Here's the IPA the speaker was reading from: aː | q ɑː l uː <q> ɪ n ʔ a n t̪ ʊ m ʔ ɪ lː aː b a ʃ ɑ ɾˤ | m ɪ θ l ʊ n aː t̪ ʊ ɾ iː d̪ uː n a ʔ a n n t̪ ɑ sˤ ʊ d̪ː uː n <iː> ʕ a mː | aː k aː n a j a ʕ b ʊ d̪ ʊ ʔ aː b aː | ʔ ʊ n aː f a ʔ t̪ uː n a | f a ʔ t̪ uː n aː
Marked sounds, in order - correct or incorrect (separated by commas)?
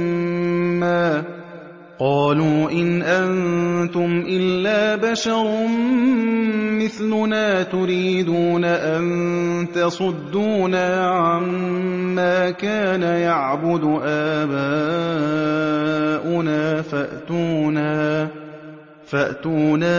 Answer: incorrect, incorrect